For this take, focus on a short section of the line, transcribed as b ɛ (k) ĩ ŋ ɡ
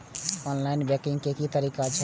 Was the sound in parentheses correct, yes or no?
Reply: yes